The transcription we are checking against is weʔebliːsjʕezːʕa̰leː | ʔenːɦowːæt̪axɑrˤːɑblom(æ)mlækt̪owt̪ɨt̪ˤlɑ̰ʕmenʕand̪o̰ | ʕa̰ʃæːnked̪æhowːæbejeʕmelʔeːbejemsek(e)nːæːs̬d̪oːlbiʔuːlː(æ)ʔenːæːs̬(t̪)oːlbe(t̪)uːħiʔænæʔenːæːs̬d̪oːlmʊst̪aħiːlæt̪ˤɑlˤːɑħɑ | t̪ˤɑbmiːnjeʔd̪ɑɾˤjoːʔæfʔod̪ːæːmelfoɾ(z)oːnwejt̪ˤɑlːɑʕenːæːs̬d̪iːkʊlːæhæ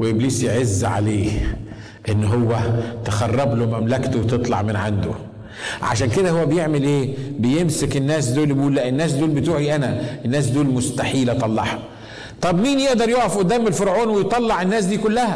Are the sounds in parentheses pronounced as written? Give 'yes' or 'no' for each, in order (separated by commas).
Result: yes, yes, yes, no, yes, no